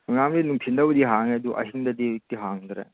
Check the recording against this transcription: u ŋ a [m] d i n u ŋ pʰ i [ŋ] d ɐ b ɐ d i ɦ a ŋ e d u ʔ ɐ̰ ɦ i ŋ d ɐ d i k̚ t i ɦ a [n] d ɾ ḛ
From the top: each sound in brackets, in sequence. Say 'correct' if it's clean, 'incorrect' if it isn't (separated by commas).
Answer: correct, incorrect, incorrect